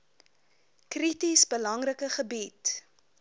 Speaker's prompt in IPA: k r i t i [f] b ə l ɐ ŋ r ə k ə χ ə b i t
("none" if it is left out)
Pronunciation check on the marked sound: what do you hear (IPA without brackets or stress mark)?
s